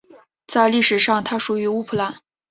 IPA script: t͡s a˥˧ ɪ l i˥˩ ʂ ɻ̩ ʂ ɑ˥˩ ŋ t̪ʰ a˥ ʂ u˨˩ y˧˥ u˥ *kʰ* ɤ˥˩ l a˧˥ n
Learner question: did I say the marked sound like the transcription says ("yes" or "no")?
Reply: no